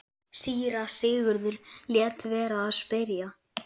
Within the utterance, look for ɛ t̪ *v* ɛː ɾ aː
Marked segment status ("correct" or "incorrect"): correct